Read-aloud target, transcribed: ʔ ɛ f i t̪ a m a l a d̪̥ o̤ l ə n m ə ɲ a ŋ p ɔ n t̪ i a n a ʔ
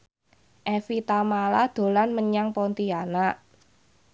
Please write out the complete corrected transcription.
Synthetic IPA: ʔ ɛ f i t̪ a m a l a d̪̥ o̤ l a n m ə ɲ a ŋ p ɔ n t̪ i a n a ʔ